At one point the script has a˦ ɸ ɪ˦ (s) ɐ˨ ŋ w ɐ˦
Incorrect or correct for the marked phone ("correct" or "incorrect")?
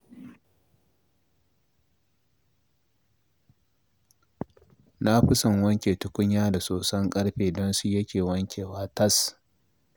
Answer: correct